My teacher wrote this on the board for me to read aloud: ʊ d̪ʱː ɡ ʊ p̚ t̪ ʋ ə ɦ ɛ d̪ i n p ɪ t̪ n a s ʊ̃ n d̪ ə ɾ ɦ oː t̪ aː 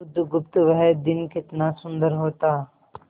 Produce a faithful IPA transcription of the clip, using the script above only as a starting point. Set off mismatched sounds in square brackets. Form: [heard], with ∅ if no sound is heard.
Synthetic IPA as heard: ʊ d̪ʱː ɡ ʊ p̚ t̪ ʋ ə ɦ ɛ d̪ [ɪ] n [k] ɪ t̪ n a s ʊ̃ n d̪ ə ɾ ɦ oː t̪ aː